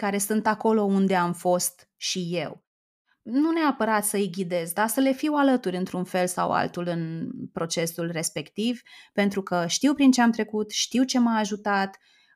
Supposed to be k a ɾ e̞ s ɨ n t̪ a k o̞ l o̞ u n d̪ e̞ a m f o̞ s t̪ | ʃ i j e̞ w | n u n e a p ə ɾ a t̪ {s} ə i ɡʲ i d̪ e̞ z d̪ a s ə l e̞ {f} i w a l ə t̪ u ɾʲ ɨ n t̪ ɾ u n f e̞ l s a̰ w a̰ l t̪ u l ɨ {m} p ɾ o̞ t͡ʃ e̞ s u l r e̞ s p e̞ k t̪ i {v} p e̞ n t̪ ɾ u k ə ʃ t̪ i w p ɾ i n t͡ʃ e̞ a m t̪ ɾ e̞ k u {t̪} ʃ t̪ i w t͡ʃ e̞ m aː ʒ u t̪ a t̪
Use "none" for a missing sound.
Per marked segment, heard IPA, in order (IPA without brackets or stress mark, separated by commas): s, f, n, v, t̪